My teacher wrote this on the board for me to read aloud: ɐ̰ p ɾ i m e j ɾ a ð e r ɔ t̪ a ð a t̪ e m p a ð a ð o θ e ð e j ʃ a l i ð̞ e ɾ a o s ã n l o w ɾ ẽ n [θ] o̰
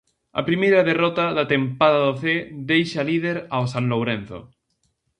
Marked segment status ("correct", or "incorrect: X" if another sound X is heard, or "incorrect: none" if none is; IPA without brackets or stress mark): correct